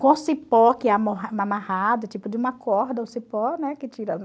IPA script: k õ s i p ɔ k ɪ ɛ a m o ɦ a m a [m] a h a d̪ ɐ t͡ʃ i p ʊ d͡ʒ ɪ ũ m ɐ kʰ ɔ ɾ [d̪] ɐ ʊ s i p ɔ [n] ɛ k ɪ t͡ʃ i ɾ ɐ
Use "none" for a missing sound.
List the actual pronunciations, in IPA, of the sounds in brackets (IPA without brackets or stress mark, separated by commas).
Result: m, d̪, n